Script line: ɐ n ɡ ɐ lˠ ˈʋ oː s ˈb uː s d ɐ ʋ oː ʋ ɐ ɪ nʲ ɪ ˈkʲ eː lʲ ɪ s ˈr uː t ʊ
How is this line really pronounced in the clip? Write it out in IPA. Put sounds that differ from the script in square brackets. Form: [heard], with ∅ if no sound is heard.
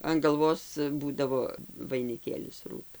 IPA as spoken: ɐ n ɡ ɐ lˠ ˈʋ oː s ˈb uː [∅] d ɐ ʋ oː ʋ ɐ ɪ nʲ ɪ ˈkʲ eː lʲ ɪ s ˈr uː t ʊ